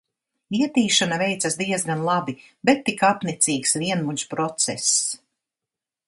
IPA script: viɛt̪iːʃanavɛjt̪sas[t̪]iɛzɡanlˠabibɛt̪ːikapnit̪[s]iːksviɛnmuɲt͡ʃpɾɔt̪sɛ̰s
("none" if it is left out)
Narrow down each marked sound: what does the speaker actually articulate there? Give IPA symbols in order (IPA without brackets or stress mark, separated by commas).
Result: d̪, s